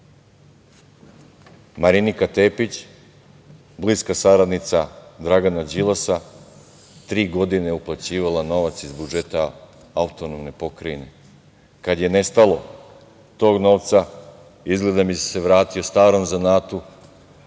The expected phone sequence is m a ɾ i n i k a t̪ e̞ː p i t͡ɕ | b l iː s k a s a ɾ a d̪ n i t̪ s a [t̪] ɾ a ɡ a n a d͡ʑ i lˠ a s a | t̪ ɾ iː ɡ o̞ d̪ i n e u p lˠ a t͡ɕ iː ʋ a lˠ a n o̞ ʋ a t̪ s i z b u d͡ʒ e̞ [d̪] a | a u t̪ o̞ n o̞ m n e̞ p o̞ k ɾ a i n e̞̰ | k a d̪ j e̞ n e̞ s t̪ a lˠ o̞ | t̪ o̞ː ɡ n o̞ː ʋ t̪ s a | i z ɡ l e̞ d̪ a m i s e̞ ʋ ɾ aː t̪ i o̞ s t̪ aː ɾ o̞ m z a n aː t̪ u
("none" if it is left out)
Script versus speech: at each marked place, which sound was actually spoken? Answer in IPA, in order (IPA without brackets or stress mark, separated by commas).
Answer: d̪, t̪